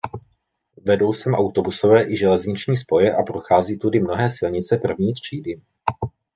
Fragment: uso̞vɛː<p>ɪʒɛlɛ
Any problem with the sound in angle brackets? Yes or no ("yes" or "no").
yes